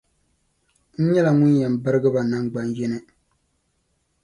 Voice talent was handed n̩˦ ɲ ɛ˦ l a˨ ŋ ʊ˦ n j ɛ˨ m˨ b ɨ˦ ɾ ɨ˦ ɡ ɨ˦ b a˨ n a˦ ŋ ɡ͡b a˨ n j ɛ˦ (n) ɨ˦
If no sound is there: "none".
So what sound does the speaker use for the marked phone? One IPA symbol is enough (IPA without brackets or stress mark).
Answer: n